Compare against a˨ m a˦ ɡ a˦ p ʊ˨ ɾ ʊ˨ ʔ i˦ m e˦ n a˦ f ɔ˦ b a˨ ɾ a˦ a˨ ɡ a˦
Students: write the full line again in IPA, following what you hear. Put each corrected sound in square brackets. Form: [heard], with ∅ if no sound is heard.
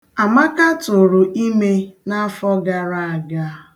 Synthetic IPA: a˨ m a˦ [k] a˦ [t] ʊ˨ ɾ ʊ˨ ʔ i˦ m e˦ n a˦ f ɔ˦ [ɡ] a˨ ɾ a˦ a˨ ɡ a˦